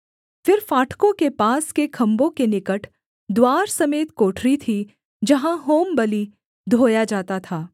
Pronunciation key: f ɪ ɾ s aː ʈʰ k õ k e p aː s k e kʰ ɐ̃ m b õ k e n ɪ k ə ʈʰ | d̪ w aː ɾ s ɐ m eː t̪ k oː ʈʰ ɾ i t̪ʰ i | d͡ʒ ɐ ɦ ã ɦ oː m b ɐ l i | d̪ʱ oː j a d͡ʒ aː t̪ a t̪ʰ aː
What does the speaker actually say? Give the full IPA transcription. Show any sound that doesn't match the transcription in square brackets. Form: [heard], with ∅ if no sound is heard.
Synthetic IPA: f ɪ ɾ [f] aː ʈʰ k õ k e p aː s k e kʰ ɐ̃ m b õ k e n ɪ k ə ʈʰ | d̪ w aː ɾ s ɐ m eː t̪ k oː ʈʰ ɾ i t̪ʰ i | d͡ʒ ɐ ɦ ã ɦ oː m b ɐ l i | d̪ʱ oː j a d͡ʒ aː t̪ a t̪ʰ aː